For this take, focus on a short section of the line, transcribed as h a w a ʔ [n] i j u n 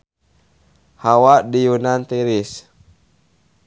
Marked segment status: incorrect: d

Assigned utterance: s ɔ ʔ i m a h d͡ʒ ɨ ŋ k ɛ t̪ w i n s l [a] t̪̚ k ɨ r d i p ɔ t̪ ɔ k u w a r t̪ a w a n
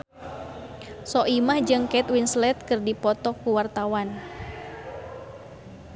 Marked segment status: incorrect: ɛ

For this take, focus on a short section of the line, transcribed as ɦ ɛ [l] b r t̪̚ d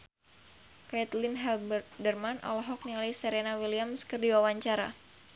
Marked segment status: correct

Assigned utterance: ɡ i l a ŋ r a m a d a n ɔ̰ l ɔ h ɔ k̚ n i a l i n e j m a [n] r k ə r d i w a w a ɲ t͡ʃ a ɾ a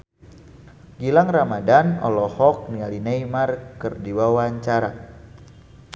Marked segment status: incorrect: none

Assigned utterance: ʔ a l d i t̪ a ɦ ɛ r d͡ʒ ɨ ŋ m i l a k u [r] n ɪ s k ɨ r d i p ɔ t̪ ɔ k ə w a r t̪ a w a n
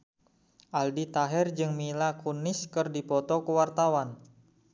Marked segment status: incorrect: none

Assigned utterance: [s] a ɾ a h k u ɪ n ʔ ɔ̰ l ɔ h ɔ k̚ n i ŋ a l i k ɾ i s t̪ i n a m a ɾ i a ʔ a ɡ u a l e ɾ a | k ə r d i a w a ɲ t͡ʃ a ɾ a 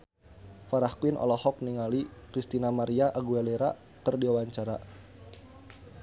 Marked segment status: incorrect: f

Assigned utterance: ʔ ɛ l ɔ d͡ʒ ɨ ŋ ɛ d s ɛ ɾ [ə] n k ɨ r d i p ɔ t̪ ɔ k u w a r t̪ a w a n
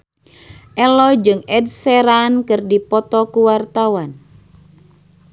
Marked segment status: incorrect: a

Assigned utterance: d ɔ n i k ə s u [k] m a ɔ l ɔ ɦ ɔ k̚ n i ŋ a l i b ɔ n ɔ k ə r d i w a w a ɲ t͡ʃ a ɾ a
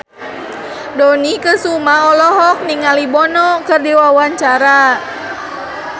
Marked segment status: incorrect: none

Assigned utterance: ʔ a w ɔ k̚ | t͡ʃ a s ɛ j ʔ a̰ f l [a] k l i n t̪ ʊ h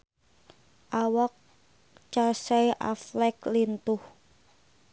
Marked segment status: incorrect: ɛ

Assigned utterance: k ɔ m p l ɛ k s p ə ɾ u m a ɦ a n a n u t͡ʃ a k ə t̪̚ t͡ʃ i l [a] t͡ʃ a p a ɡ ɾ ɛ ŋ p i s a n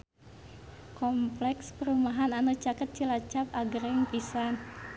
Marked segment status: correct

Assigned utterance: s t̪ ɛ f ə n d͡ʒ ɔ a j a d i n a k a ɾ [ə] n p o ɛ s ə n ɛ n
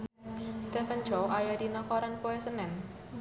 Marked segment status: incorrect: a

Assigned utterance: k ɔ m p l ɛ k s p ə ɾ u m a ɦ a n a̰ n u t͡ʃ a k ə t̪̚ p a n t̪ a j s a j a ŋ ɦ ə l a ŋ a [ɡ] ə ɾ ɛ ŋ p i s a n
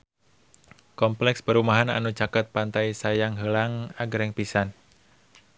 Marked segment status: correct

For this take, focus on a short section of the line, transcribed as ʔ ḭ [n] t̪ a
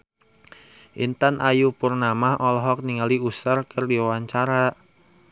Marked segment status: correct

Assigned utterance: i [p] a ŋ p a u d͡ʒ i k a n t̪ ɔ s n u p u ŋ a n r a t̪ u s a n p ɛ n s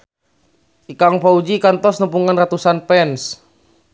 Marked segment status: incorrect: k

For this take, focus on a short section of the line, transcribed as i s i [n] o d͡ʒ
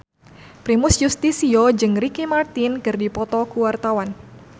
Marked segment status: incorrect: none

